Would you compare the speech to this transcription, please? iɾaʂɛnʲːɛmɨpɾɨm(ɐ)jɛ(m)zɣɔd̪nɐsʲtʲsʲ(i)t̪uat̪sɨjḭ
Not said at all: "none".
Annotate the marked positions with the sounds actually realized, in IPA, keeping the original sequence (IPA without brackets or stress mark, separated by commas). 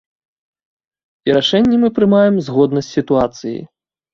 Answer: a, m, i